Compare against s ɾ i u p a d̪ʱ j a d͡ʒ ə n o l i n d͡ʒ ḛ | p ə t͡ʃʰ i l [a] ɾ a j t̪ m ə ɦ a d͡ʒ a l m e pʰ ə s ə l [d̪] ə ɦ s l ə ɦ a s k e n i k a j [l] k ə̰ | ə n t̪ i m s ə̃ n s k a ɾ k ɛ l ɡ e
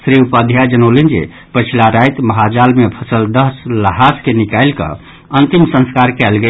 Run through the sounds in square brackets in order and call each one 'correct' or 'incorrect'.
correct, correct, correct

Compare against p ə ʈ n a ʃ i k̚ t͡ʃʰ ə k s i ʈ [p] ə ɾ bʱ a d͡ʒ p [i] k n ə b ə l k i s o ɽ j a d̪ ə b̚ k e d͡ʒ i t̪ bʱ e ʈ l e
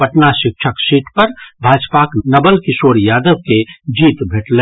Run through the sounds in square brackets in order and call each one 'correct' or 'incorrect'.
correct, incorrect: a

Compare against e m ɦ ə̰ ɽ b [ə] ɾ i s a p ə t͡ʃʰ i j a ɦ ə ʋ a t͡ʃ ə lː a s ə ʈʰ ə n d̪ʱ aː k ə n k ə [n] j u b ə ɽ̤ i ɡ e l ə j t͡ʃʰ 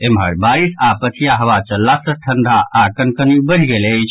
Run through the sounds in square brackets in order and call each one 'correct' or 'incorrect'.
incorrect: a, correct

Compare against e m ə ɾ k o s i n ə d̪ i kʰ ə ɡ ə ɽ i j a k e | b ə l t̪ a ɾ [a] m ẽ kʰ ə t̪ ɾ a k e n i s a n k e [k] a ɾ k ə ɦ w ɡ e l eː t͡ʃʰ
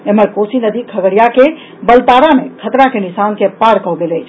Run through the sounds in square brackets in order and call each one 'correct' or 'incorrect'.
correct, incorrect: p

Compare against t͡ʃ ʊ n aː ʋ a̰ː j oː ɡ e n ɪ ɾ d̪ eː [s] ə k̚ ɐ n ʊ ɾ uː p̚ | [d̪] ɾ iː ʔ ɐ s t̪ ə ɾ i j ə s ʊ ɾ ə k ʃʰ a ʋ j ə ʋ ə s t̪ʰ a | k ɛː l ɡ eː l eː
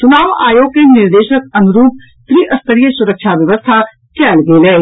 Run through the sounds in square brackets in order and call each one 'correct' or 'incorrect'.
incorrect: ʃ, incorrect: t̪

